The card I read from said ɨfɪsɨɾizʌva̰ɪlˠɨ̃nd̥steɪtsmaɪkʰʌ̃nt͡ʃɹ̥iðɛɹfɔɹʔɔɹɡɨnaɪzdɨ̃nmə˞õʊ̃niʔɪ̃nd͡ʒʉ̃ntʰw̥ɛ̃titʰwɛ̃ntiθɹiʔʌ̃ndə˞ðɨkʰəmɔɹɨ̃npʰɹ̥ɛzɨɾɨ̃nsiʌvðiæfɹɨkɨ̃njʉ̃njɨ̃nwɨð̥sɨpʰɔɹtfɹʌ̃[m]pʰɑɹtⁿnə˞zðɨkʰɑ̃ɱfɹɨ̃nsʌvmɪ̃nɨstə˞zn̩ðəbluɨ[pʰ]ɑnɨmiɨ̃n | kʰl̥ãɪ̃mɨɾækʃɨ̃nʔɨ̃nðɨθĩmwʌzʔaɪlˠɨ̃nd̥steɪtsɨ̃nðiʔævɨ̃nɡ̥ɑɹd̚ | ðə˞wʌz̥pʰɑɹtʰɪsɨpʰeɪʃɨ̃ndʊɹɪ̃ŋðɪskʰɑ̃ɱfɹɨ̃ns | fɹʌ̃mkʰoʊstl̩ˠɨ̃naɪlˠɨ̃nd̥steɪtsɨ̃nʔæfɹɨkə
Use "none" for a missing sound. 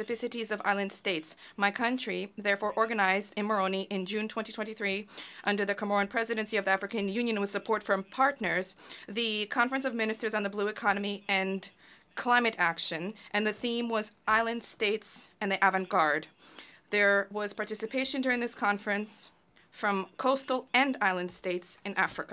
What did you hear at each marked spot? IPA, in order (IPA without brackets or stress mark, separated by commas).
m, kʰ